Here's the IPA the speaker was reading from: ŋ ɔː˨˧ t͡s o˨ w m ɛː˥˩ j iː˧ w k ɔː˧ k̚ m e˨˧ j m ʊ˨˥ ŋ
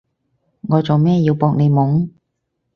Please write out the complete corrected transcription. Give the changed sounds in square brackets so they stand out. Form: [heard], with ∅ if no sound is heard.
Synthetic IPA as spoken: ŋ ɔː˨˧ t͡s o˨ w m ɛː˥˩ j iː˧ w [p] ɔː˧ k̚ [n] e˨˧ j m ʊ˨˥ ŋ

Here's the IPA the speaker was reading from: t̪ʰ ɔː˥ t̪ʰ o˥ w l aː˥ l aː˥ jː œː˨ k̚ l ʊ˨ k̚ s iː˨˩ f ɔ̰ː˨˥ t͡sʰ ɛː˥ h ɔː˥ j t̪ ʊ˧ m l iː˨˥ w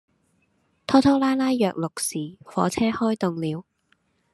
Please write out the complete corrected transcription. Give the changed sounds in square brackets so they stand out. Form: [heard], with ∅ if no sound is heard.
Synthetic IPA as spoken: t̪ʰ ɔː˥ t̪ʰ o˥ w l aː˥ l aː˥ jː œː˨ k̚ l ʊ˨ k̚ s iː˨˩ f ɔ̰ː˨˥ t͡sʰ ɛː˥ h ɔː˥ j t̪ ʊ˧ [ŋ] l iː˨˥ w

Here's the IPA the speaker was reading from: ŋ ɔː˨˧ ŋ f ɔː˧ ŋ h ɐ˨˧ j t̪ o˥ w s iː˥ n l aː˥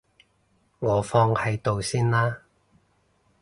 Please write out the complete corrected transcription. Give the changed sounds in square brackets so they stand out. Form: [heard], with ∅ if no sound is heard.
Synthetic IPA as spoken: ŋ ɔː˨˧ [∅] f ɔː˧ ŋ h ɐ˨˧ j t̪ [o˨] w s iː˥ n l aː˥

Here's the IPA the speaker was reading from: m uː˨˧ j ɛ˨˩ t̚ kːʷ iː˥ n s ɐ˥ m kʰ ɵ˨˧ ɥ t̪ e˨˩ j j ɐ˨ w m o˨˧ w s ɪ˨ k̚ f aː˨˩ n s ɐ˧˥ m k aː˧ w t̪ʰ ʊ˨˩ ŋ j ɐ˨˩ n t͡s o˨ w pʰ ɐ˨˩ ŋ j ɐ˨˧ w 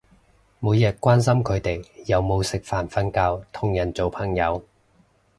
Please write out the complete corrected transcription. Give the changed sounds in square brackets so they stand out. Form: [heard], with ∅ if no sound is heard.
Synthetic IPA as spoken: m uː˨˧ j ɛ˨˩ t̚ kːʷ [aː˥] n s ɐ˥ m kʰ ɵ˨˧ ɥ t̪ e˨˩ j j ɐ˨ w m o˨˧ w s ɪ˨ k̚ f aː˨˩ n [f] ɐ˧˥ [n] k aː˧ w t̪ʰ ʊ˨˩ ŋ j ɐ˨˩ n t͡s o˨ w pʰ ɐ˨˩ ŋ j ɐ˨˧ w

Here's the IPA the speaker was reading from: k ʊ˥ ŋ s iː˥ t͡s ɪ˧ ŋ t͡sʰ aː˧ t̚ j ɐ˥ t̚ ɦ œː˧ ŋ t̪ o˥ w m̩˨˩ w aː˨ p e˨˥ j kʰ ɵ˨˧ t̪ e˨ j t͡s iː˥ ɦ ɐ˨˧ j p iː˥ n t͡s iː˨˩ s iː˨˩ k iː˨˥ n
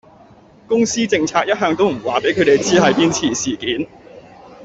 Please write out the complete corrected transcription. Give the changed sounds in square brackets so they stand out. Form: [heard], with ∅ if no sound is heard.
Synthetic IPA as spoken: k ʊ˥ ŋ s iː˥ t͡s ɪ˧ ŋ t͡sʰ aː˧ [k̚] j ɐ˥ t̚ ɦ œː˧ ŋ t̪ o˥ w m̩˨˩ w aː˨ p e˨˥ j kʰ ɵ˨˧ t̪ e˨ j t͡s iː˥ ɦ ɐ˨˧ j p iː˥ n [t͡sʰ] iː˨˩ s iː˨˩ k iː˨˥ n

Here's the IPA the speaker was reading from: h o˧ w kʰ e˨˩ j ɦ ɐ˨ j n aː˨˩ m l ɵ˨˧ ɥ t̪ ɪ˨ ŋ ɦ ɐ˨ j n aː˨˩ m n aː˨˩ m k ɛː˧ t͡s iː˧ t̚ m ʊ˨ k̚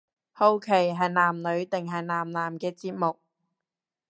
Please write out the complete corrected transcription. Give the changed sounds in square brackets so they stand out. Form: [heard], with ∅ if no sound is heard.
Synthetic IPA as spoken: h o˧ w kʰ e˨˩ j ɦ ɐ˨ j n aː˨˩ m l ɵ˨˧ ɥ t̪ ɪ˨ ŋ ɦ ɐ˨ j n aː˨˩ m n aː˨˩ m k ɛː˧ t͡s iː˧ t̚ m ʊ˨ k̚

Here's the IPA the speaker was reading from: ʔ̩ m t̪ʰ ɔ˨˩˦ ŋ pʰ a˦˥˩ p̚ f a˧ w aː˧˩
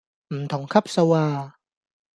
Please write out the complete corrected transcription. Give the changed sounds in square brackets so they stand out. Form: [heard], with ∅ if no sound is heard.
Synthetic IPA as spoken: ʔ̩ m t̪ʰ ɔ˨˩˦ ŋ [kʰ] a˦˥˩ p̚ [s] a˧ w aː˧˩

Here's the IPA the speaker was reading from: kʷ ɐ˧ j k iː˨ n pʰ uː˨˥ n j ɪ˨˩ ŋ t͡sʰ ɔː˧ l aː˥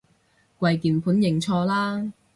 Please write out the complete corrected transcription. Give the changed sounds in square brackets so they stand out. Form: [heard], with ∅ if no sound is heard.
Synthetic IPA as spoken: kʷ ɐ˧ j k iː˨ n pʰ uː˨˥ n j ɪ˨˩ ŋ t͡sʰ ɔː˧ l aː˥

